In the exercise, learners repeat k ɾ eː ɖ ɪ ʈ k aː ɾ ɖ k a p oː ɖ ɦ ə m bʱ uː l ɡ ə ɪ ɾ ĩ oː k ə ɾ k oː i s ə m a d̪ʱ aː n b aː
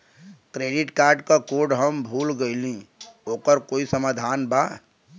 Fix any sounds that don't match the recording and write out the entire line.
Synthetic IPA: k ɾ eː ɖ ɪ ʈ k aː ɾ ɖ k a k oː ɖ ɦ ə m bʱ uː l ɡ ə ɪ l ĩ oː k ə ɾ k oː i s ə m a d̪ʱ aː n b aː

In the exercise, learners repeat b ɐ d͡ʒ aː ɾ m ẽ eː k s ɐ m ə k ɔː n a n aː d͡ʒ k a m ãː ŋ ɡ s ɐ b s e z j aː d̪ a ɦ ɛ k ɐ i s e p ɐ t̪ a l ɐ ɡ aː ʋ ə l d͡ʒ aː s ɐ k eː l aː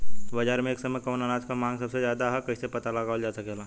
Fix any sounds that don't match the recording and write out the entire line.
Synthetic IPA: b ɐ d͡ʒ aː ɾ m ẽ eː k s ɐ m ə k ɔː n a n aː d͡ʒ k a m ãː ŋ ɡ s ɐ b s e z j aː d̪ a ɦ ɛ k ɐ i s e p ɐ t̪ a l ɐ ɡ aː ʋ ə l d͡ʒ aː s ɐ k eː l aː

